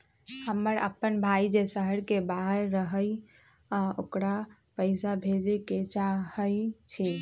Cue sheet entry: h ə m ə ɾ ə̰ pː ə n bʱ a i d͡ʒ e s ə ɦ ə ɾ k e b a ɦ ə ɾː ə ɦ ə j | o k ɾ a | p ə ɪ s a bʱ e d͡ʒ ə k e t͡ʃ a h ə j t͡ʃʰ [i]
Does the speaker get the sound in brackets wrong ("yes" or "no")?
no